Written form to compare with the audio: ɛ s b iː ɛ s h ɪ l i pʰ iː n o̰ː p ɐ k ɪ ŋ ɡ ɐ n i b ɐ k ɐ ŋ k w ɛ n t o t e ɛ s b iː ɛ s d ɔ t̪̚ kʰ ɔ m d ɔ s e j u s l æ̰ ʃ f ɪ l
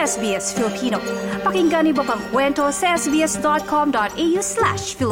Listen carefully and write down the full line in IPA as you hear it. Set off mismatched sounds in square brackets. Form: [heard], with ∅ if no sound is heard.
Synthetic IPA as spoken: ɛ s b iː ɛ s [f] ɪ l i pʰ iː n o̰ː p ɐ k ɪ ŋ ɡ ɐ n i b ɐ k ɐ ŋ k w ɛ n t o [s] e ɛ s b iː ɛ s d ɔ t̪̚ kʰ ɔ m d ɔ [t] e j u s l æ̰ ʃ f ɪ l